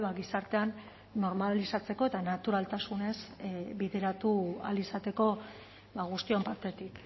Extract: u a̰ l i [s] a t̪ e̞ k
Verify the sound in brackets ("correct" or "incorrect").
correct